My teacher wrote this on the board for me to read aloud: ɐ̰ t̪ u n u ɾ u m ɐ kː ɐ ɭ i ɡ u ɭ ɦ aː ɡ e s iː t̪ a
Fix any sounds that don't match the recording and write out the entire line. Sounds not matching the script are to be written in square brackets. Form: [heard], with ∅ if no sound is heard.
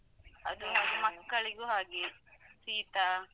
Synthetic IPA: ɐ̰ [d̪] u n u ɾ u m ɐ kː ɐ ɭ i ɡ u [∅] ɦ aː ɡ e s iː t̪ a